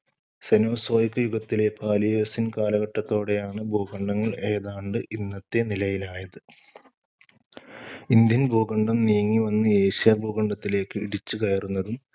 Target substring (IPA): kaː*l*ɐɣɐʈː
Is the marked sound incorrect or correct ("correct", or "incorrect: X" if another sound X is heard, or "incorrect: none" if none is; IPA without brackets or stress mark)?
correct